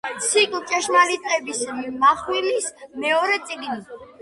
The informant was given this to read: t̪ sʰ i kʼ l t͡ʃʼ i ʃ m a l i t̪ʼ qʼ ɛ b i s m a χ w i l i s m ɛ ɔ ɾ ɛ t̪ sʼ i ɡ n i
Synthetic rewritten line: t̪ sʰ i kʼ l t͡ʃʼ ɛ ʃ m a l i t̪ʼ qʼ ɛ b i s m a χ w i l i s m ɛ ɔ ɾ ɛ t̪ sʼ i ɡ n i

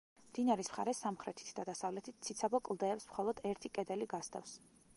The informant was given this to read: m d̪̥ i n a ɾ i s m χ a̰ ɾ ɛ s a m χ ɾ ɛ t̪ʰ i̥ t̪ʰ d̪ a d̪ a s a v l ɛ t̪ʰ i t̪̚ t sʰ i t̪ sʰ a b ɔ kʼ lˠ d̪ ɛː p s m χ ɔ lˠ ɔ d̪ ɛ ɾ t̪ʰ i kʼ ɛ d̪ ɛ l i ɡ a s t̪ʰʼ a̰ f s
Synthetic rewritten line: m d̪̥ i n a ɾ i s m χ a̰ ɾ ɛ s a m χ ɾ ɛ t̪ʰ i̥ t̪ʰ d̪ a d̪ a s a v l ɛ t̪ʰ i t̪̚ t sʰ i t̪ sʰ a b ɔ kʼ lˠ d̪ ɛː p s m χ ɔ lˠ ɔ d̪ ɛ ɾ t̪ʰ i kʼ ɛ d̪ ɛ l i ɡ a s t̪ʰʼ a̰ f s

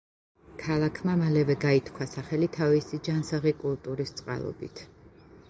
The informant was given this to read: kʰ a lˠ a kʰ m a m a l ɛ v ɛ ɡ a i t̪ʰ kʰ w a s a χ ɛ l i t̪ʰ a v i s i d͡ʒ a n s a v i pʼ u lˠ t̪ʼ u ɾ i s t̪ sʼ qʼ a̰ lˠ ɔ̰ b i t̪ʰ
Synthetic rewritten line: kʰ a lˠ a kʰ m a m a l ɛ v ɛ ɡ a i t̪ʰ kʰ w a s a χ ɛ l i t̪ʰ a v i s i d͡ʒ a n s a ʁ i kʼ u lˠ t̪ʼ u ɾ i s t̪ sʼ qʼ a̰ lˠ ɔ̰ b i t̪ʰ

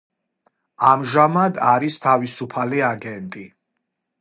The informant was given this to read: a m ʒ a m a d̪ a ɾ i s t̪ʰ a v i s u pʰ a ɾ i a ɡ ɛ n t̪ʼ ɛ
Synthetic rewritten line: a m ʒ a m a d̪ a ɾ i s t̪ʰ a v i s u pʰ a l i a ɡ ɛ n t̪ʼ i

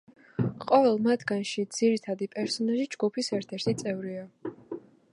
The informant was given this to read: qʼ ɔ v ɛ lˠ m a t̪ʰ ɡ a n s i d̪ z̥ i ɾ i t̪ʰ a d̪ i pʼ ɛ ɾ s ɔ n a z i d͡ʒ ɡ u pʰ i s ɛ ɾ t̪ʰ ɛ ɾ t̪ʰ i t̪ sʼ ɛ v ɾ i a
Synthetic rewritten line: qʼ ɔ v ɛ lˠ m a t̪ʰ ɡ a n ʃ i d̪ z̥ i ɾ i t̪ʰ a d̪ i pʼ ɛ ɾ s ɔ n a ʒ i d͡ʒ ɡ u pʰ i s ɛ ɾ t̪ʰ ɛ ɾ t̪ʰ i t̪ sʼ ɛ v ɾ i a

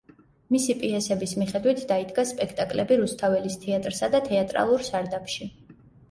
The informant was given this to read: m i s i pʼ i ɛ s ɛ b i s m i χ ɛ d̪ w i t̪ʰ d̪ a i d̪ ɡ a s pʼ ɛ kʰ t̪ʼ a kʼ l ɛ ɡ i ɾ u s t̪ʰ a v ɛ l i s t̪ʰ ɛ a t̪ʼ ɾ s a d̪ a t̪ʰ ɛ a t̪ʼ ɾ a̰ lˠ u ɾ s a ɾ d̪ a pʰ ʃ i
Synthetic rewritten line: m i s i pʼ i ɛ s ɛ b i s m i χ ɛ d̪ w i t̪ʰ d̪ a i d̪ ɡ a s pʼ ɛ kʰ t̪ʼ a kʼ l ɛ b i ɾ u s t̪ʰ a v ɛ l i s t̪ʰ ɛ a t̪ʼ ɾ s a d̪ a t̪ʰ ɛ a t̪ʼ ɾ a̰ lˠ u ɾ s a ɾ d̪ a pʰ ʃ i

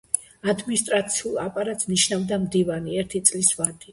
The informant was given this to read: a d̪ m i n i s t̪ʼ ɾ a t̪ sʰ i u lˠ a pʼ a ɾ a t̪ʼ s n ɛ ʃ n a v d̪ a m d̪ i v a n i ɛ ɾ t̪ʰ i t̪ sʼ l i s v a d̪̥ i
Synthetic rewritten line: a d̪ m i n i s t̪ʼ ɾ a t̪ sʰ i u lˠ a pʼ a ɾ a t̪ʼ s n i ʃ n a v d̪ a m d̪ i v a n i ɛ ɾ t̪ʰ i t̪ sʼ l i s v a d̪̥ i

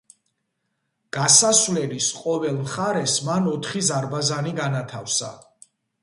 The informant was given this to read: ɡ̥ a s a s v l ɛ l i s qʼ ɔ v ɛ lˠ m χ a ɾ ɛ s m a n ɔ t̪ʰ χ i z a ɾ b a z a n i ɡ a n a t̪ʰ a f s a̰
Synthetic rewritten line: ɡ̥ a s a s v l ɛ l i s qʼ ɔ v ɛ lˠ m χ a ɾ ɛ s m a n ɔ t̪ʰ χ i z a ɾ b a z a n i ɡ a n a t̪ʰ a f s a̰

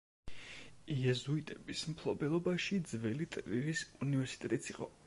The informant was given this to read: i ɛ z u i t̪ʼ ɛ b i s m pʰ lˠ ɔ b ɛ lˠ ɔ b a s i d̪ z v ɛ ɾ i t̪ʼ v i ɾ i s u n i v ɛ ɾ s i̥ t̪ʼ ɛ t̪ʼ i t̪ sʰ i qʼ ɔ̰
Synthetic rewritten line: i ɛ z u i t̪ʼ ɛ b i s m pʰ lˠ ɔ b ɛ lˠ ɔ b a ʃ i d̪ z v ɛ l i t̪ʼ v i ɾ i s u n i v ɛ ɾ s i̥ t̪ʼ ɛ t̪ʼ i t̪ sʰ i qʼ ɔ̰

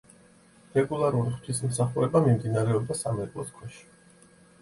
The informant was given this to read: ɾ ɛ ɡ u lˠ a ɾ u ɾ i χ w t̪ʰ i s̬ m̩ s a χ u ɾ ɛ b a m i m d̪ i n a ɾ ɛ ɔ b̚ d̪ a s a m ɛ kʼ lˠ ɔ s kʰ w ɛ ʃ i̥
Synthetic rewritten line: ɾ ɛ ɡ u lˠ a ɾ u ɾ i χ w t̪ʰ i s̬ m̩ s a χ u ɾ ɛ b a m i m d̪ i n a ɾ ɛ ɔ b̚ d̪ a s a m ɛ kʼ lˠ ɔ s kʰ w ɛ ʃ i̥

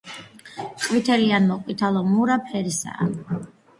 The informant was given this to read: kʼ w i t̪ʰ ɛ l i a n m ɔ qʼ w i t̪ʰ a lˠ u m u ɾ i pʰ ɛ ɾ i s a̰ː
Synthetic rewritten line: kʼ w i t̪ʰ ɛ l i a n m ɔ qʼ w i t̪ʰ a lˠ ɔ m u ɾ a pʰ ɛ ɾ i s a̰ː

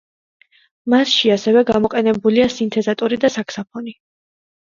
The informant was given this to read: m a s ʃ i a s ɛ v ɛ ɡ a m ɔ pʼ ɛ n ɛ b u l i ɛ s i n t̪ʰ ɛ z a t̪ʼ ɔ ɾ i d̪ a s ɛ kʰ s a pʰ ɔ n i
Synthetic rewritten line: m a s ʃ i a s ɛ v ɛ ɡ a m ɔ qʼ ɛ n ɛ b u l i a s i n t̪ʰ ɛ z a t̪ʼ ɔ ɾ i d̪ a s a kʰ s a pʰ ɔ n i

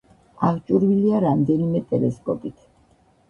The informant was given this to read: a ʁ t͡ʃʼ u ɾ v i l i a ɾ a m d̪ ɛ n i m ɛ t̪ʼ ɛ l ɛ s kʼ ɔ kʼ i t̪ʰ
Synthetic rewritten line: a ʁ t͡ʃʼ u ɾ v i l i a ɾ a m d̪ ɛ n i m ɛ t̪ʼ ɛ l ɛ s kʼ ɔ pʼ i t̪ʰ

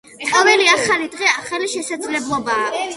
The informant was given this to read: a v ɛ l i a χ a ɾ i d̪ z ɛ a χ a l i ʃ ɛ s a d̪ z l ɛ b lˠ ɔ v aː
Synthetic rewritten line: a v ɛ l i a χ a l i d̪ ʁ ɛ a χ a l i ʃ ɛ s a d̪ z l ɛ b lˠ ɔ b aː

